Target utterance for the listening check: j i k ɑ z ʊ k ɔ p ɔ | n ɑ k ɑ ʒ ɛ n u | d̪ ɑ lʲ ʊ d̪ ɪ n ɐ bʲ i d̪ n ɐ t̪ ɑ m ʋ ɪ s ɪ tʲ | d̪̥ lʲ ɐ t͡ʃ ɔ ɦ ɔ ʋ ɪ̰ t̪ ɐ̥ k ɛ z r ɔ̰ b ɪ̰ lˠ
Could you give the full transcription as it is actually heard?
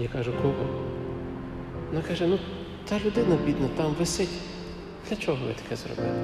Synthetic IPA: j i k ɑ ʒ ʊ k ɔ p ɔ | n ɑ k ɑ ʒ ɛ n u | t̪ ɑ lʲ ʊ d̪ ɪ n ɐ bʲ i d̪ n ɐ t̪ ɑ m ʋ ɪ s ɪ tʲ | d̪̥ lʲ ɐ t͡ʃ ɔ ɦ ɔ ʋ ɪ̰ t̪ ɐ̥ k ɛ z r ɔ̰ b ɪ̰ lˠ